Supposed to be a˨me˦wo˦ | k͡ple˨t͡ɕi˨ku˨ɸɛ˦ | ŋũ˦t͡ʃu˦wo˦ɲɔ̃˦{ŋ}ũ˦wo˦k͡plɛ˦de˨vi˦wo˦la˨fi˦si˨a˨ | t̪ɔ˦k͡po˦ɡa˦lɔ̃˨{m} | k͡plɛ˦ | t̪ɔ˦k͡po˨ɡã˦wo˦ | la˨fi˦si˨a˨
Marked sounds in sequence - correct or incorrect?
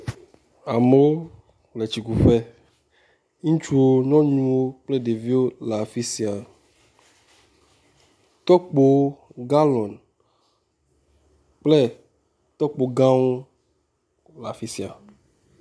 incorrect, incorrect

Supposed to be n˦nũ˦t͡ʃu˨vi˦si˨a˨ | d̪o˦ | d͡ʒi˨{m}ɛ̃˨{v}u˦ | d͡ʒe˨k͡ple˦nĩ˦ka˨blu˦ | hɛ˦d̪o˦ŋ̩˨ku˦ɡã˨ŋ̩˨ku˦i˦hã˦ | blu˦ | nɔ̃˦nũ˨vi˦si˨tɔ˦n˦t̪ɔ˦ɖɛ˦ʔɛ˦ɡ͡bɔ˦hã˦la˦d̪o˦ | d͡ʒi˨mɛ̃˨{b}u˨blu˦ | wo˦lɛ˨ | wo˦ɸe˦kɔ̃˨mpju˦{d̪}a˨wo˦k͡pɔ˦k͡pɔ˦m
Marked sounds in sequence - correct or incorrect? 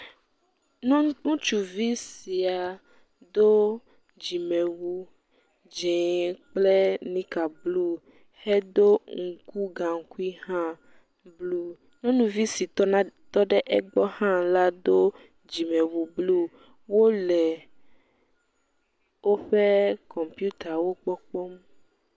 correct, incorrect, incorrect, incorrect

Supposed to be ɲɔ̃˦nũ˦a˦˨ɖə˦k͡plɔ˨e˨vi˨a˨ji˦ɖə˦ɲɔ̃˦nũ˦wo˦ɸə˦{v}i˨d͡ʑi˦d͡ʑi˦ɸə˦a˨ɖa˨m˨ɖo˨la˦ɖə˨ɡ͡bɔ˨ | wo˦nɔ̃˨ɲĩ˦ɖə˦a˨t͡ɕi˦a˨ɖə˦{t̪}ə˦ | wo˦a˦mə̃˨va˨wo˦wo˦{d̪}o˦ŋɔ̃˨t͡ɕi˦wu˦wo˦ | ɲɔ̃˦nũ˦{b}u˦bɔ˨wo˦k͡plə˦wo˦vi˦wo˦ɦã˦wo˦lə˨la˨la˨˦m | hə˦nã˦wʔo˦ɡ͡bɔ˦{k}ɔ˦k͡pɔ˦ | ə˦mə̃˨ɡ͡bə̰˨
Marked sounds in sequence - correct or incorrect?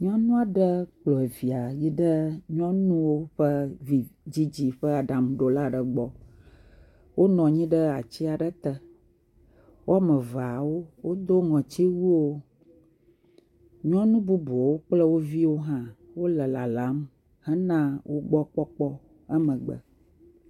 correct, correct, correct, correct, incorrect

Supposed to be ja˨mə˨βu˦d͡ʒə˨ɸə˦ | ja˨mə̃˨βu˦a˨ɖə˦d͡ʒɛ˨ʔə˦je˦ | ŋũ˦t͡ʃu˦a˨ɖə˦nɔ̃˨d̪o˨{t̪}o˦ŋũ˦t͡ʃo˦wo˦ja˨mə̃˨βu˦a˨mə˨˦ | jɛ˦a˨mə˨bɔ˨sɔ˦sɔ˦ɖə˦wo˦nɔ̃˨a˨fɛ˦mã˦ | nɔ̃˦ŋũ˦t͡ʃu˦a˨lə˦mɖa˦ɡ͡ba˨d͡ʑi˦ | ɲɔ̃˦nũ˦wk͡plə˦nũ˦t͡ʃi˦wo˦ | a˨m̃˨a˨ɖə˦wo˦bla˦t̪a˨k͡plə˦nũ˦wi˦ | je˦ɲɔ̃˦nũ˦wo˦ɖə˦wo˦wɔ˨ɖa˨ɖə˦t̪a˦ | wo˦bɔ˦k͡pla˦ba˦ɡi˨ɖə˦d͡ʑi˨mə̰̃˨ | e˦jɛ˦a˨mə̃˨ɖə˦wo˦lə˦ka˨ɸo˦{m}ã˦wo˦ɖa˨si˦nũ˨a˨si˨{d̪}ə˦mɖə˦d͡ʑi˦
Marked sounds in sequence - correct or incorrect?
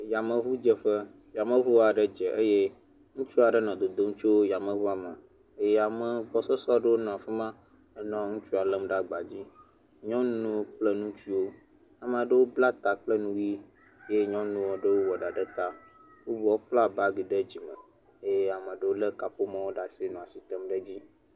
incorrect, correct, incorrect

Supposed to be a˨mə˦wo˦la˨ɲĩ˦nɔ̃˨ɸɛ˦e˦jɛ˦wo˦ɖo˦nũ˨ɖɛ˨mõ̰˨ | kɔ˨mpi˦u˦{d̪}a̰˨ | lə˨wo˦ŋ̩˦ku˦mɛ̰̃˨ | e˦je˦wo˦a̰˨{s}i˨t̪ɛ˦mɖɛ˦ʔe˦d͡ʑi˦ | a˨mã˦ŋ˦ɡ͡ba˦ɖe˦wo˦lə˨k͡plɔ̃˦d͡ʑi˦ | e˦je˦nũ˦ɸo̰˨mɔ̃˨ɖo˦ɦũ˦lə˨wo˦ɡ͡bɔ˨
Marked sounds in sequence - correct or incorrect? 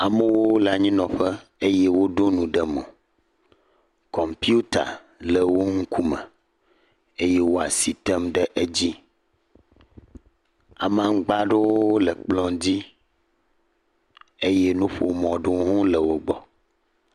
incorrect, correct

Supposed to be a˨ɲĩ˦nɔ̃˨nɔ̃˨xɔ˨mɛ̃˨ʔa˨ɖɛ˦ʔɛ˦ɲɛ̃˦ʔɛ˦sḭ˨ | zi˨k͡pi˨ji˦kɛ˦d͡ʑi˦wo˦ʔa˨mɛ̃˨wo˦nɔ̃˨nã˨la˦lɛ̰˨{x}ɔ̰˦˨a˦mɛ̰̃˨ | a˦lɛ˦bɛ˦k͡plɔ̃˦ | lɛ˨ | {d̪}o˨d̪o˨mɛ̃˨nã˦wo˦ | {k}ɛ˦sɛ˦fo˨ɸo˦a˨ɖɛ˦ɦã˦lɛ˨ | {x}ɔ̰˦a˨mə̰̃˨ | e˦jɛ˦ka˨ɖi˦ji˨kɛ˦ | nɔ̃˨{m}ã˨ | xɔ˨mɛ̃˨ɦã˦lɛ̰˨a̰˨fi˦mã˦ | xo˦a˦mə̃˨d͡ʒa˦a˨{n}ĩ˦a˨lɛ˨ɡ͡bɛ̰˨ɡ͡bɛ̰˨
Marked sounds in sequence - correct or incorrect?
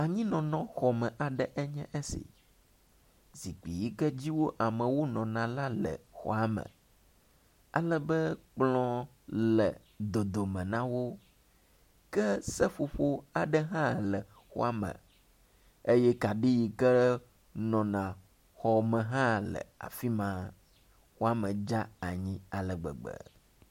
correct, correct, correct, correct, incorrect, incorrect

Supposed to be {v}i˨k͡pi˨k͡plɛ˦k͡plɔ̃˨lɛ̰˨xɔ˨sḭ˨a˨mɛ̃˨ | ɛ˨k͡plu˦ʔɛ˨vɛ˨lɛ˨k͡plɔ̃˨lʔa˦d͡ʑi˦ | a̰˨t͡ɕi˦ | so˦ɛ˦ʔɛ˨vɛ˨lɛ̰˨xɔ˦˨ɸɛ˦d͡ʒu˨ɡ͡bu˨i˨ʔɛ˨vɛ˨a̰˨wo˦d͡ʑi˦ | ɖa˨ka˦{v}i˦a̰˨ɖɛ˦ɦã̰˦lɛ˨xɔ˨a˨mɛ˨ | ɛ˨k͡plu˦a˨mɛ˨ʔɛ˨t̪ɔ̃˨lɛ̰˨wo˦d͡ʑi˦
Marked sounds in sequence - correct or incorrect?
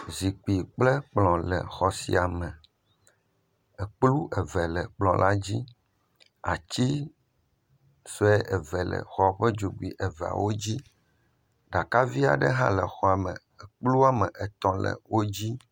incorrect, correct

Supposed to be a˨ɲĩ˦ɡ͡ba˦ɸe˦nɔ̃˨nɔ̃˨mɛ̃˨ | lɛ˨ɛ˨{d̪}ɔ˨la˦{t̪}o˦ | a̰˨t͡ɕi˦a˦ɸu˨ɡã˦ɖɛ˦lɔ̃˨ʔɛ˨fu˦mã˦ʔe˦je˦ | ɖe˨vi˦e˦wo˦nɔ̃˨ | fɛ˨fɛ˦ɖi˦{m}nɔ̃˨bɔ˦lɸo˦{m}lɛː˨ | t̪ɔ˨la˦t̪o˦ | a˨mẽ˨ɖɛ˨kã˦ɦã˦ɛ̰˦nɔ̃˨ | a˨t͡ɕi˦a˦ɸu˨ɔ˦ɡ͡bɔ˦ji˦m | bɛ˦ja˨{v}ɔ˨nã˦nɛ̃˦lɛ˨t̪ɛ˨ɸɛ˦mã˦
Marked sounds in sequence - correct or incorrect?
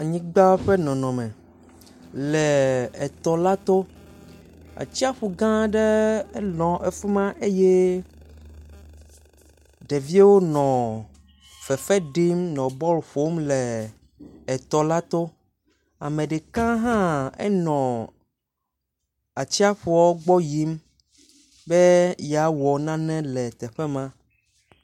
incorrect, correct, correct, correct, incorrect

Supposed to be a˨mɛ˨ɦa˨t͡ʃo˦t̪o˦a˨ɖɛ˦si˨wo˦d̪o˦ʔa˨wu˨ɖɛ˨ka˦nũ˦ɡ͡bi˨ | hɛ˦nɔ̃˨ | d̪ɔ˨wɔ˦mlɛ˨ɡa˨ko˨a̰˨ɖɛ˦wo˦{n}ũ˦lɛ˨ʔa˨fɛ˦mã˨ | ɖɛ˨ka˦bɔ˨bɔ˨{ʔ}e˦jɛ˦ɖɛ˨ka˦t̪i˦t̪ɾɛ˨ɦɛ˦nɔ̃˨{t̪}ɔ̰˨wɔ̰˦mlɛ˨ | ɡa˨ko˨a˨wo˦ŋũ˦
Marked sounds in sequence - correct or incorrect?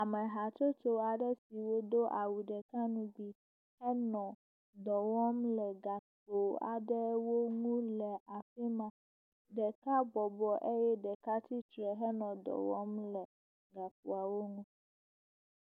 incorrect, correct, incorrect

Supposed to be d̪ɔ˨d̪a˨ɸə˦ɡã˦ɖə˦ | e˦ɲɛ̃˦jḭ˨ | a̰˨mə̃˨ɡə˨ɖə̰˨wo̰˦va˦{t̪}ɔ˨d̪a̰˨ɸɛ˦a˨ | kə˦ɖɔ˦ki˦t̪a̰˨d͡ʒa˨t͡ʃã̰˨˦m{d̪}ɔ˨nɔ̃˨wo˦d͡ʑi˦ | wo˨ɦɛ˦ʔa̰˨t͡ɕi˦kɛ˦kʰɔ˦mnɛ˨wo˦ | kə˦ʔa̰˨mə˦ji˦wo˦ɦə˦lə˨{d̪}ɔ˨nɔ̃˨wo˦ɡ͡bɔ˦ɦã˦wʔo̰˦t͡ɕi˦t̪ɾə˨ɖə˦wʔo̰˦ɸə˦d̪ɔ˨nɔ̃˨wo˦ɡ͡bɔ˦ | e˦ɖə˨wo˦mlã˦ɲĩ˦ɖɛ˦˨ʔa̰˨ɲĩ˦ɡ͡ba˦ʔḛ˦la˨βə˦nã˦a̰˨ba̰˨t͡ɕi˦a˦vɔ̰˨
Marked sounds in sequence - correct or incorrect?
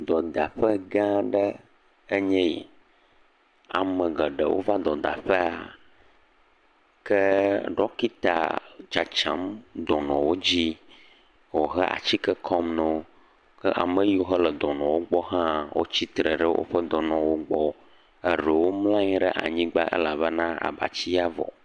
incorrect, correct, correct

